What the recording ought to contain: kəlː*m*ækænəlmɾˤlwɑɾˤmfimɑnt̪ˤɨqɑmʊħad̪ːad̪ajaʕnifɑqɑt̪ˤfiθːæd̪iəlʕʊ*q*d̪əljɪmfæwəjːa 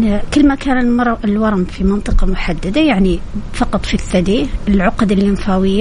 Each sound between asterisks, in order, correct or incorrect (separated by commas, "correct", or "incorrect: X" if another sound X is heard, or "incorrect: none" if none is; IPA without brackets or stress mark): correct, correct